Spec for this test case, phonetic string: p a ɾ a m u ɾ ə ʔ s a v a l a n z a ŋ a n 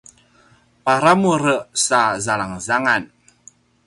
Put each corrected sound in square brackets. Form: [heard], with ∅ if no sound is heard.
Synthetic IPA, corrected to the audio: p a ɾ a m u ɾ ə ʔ s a [z] a l a [ŋ] z a ŋ a n